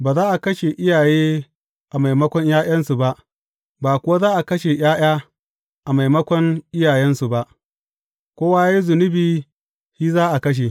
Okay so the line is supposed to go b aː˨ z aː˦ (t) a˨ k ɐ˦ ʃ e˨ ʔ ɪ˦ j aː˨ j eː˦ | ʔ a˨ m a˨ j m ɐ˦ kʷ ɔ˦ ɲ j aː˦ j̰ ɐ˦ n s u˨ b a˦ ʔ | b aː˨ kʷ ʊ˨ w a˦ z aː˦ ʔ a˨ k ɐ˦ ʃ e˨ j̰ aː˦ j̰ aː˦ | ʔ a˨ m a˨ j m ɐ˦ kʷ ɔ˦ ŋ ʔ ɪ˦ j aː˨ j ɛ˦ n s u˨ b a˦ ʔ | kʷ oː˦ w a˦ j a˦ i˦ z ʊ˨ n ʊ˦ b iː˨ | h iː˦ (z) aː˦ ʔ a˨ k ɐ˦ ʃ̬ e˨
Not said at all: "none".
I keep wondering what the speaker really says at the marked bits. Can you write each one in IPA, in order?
ʔ, z

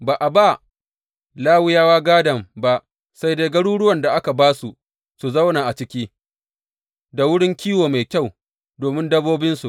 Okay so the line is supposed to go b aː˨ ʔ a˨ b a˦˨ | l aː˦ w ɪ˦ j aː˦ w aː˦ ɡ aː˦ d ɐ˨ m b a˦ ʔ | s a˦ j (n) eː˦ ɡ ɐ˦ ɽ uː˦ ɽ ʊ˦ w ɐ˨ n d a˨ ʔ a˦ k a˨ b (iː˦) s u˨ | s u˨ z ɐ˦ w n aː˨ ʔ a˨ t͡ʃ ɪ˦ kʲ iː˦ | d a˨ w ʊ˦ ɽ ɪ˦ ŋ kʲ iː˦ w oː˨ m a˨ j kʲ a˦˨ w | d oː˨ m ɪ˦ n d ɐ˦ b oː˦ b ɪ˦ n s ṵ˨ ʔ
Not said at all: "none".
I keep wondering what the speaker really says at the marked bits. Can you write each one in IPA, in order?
d, aː˦

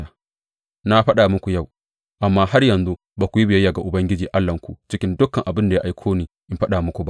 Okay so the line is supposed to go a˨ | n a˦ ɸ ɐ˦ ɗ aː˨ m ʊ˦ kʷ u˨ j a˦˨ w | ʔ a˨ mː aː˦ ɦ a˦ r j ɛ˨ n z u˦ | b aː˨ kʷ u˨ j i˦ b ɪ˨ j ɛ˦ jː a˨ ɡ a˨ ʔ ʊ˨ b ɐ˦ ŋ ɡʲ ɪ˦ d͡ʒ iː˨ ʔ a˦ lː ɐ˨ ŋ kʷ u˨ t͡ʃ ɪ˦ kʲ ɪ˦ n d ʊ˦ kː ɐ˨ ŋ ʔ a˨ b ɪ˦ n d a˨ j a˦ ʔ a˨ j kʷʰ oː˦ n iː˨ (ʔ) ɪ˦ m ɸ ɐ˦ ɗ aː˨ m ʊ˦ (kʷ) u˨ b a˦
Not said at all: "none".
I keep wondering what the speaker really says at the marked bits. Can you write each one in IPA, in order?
ʔ, kʷ

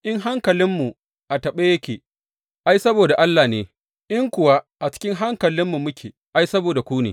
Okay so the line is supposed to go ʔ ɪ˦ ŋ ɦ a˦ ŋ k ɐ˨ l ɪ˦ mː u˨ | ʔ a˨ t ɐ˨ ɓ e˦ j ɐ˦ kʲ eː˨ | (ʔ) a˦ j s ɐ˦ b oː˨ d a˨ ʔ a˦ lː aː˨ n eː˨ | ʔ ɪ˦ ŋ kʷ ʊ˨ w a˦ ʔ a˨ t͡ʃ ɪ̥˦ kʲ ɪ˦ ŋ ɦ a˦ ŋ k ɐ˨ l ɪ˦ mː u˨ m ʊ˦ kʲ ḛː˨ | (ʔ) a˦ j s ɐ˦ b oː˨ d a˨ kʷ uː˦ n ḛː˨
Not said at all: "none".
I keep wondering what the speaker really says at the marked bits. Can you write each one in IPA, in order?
ʔ, ʔ

